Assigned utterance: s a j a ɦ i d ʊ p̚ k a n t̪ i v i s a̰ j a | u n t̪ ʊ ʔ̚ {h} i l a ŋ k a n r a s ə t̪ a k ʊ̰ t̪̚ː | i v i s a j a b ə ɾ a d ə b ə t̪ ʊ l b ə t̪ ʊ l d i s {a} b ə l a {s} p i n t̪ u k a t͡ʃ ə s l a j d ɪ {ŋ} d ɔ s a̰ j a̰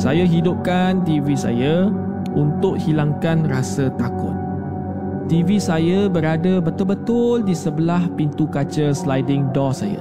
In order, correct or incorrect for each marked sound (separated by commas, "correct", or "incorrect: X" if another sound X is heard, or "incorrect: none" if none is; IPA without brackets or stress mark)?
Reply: correct, incorrect: ə, incorrect: h, correct